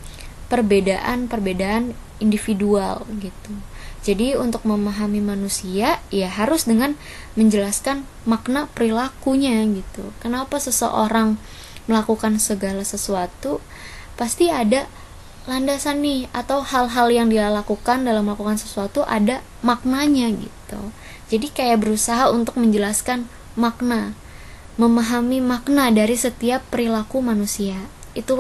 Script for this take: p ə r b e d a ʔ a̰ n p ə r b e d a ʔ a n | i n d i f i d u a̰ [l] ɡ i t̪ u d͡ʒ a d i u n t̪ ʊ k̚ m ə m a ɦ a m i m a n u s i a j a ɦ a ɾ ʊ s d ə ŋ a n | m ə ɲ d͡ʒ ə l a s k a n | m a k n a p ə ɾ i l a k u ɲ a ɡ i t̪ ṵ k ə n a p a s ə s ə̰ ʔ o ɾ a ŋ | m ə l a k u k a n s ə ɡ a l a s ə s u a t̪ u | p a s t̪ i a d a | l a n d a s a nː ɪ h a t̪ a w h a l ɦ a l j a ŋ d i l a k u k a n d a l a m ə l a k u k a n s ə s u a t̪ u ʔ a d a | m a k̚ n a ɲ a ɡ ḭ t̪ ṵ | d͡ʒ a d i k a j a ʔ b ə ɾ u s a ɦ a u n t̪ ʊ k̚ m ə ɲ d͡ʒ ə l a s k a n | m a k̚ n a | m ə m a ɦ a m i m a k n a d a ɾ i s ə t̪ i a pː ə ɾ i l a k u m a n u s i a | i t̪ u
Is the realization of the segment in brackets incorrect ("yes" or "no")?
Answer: no